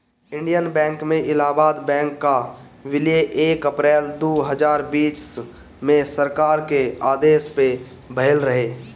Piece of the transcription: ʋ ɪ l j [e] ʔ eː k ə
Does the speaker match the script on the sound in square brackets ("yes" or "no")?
yes